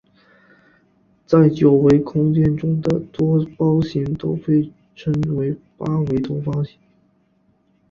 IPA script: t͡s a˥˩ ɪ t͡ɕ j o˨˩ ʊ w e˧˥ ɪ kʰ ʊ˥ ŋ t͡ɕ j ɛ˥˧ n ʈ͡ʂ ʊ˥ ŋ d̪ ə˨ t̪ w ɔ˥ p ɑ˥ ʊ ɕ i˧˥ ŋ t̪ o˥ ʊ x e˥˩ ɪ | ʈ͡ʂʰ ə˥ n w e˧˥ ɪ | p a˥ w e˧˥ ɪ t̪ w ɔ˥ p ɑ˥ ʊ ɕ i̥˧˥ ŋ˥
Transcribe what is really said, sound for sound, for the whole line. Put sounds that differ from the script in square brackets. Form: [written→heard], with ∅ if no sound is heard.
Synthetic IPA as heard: t͡s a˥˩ ɪ t͡ɕ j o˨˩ ʊ w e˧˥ ɪ kʰ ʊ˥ ŋ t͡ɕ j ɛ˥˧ n ʈ͡ʂ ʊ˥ ŋ d̪ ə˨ t̪ w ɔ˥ p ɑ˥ ʊ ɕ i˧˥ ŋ t̪ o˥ ʊ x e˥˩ ɪ | ʈ͡ʂʰ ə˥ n w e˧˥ ɪ | p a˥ w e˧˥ ɪ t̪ w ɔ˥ p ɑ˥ ʊ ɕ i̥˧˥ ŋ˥